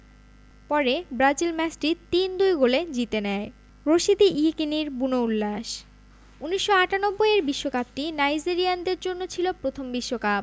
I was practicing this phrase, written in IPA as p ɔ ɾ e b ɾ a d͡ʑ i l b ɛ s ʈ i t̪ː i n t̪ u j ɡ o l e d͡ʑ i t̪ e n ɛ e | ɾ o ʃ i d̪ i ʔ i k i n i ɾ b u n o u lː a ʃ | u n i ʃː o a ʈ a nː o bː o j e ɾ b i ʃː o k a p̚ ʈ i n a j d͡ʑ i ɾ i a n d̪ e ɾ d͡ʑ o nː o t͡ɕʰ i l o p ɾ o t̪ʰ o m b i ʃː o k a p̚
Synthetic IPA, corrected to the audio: p ɔ ɾ e b ɾ a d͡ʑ i l m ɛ s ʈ i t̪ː i n d̪ u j ɡ o l e d͡ʑ i t̪ e n ɛ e | ɾ o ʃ i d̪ i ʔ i k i n i ɾ b u n o u lː a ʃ | u n i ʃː o a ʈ a n o bː o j e ɾ b i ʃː o k a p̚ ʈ i n a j d͡ʑ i ɾ i a n d̪ e ɾ d͡ʑ o nː o t͡ɕʰ i l o p ɾ o t̪ʰ o m b i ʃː o k a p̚

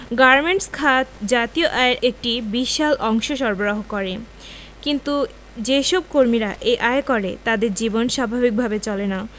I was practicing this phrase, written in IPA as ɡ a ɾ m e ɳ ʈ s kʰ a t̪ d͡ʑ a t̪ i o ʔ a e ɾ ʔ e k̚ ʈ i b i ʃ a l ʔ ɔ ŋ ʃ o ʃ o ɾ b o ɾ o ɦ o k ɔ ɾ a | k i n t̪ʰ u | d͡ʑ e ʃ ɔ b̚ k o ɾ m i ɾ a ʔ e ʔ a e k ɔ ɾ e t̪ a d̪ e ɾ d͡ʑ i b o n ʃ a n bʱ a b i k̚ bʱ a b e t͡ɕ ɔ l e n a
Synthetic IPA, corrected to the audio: ɡ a ɾ m e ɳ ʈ s kʰ a t̪ d͡ʑ a t̪ i o ʔ a e ɾ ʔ e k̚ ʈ i b i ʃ a l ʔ ɔ ŋ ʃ o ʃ ɔ ɾ b o ɾ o ɦ o k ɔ ɾ e | k i n t̪ u | d͡ʑ e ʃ ɔ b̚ k o ɾ m i ɾ a ʔ e ʔ a e k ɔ ɾ e t̪ a d̪ e ɾ d͡ʑ i b o n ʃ a bʱ a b i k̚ bʱ a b e t͡ɕ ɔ l e n a

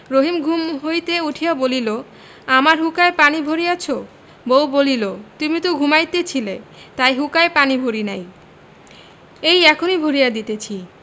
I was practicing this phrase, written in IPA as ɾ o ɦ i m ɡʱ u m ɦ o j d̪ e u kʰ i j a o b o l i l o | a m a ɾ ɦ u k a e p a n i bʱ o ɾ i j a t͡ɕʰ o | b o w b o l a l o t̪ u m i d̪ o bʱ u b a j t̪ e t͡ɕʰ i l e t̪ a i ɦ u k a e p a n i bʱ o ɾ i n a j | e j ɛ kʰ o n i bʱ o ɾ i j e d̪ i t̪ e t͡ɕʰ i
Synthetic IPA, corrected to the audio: ɾ o ɦ i m ɡʱ u m ɦ o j t̪ e u ʈʰ i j a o b o l i l o | a m a ɾ ɦ u k a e p a n i bʱ o ɾ i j a t͡ɕʰ o | b o w b o l i l o t̪ u m i t̪ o ɡʱ u m a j t̪ e t͡ɕʰ i l e t̪ a j ɦ u k a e p a n i bʱ o ɾ i n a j | e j ɛ kʰ o n i bʱ o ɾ i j a d̪ i t̪ e t͡ɕʰ i

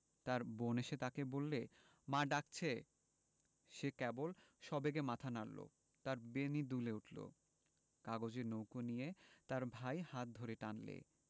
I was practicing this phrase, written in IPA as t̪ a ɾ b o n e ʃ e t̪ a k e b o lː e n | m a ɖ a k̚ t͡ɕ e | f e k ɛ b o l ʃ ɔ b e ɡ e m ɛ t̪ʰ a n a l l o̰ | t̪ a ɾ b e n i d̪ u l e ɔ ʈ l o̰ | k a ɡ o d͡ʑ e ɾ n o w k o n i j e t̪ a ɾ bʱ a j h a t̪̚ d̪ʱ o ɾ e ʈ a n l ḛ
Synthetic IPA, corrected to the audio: t̪ a ɾ b o n e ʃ e t̪ a k e b o lː e | m a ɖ a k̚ t͡ɕʰ e | ʃ e k ɛ b o l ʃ ɔ b e ɡ e m a t̪ʰ a n a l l o̰ | t̪ a ɾ b e n i d̪ u l e u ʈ l o̰ | k a ɡ o d͡ʑ e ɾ n o w k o n i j e t̪ a ɾ bʱ a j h a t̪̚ d̪ʱ o ɾ e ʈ a n l ḛ

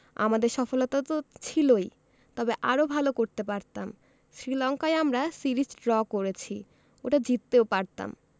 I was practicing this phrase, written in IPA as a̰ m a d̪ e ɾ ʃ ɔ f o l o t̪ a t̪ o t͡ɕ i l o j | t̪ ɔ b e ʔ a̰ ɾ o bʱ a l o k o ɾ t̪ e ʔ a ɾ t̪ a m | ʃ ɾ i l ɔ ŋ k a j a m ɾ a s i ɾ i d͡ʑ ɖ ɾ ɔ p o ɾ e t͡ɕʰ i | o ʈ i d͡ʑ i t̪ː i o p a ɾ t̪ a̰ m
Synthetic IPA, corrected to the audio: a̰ m a d̪ e ɾ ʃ ɔ f o l o t̪ a t̪ o t͡ɕʰ i l o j | t̪ ɔ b e ʔ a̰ ɾ o bʱ a l o k o ɾ t̪ e p a ɾ t̪ a m | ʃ ɾ i l ɔ ŋ k a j a m ɾ a s i ɾ i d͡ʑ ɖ ɾ ɔ k o ɾ e t͡ɕʰ i | o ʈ a d͡ʑ i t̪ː e o p a ɾ t̪ a̰ m

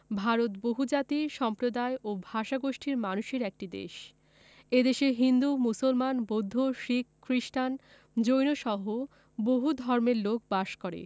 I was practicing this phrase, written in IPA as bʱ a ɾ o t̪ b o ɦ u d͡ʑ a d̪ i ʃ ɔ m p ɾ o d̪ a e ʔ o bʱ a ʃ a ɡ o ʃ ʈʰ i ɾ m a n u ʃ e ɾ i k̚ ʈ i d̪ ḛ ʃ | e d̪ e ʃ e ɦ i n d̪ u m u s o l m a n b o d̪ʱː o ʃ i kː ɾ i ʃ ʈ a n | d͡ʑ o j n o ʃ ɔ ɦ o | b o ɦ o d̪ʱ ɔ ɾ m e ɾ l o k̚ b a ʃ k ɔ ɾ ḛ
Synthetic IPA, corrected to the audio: bʱ a ɾ o t̪ b o ɦ u d͡ʑ a t̪ i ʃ ɔ m p ɾ o d̪ a e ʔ o bʱ a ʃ a ɡ o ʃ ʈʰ i ɾ m a n u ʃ e ɾ ɛ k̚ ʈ i d̪ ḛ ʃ | e d̪ e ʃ e ɦ i n d̪ u m u s o l m a n b o d̪ʱː o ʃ i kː ɾ i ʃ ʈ a n | d͡ʑ o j n o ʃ ɔ ɦ o | b o ɦ u d̪ʱ ɔ ɾ m e ɾ l o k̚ b a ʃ k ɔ ɾ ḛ

